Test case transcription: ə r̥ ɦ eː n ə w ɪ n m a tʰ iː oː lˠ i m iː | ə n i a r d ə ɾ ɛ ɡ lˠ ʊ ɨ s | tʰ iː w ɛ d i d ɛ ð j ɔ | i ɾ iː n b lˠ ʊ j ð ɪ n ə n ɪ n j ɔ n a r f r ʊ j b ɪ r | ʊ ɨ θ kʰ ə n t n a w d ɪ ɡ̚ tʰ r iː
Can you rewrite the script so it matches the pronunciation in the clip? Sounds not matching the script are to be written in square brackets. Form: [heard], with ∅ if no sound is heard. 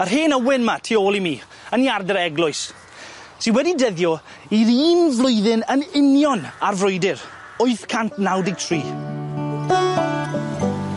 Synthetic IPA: ə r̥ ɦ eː n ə w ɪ n m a tʰ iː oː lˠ i m iː | ə n i a r d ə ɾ ɛ ɡ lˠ ʊ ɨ s | tʰ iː w ɛ d i d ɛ ð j ɔ | i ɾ iː n [v] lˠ ʊ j ð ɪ n ə n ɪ n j ɔ n a r [v] r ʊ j [d] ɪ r | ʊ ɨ θ kʰ [a] n t n a w d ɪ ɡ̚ tʰ r iː